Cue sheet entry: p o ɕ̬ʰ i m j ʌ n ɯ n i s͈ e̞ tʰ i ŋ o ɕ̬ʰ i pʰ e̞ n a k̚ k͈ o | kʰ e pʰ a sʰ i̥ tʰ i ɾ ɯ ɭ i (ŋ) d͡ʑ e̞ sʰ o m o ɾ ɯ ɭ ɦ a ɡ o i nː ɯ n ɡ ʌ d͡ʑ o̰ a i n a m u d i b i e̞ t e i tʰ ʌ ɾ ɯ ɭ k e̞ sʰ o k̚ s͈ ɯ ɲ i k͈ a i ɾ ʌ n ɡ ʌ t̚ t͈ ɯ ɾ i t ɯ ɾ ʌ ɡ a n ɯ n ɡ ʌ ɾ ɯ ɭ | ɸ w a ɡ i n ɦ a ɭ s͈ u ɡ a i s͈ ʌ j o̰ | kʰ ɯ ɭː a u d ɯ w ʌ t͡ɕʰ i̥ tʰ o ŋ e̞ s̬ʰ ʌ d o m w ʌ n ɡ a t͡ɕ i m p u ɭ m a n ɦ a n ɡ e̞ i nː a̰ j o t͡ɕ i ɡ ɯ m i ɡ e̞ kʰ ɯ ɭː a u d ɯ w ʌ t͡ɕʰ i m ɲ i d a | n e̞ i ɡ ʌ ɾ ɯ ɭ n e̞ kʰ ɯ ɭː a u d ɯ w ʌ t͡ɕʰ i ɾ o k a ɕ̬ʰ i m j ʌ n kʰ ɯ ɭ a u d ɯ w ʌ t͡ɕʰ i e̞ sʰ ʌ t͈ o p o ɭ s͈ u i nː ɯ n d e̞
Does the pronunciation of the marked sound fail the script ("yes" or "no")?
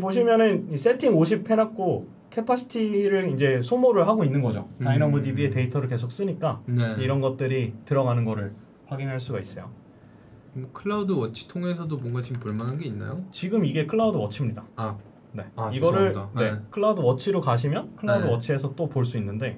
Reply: yes